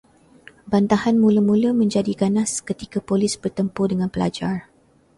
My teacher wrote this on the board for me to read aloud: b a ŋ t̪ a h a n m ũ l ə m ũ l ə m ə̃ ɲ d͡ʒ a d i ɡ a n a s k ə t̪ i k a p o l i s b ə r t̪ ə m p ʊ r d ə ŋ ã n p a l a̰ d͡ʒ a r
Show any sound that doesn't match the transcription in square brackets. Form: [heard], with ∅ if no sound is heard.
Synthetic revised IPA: b a [n] t̪ a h a n m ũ l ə m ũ l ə m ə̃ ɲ d͡ʒ a d i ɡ a n a s k ə t̪ i k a p o l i s b ə r t̪ ə m p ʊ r d ə ŋ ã n p [ə] l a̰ d͡ʒ a r